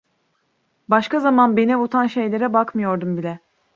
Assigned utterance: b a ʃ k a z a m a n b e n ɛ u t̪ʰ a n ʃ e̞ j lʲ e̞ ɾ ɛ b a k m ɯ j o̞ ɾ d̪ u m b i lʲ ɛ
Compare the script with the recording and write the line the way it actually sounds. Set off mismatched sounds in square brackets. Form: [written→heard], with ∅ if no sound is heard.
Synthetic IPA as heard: b a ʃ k a z a m a n b e n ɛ u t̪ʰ a n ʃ e̞ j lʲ e̞ ɾ ɛ b a k m ɯ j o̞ ɾ d̪ u m b i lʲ ɛ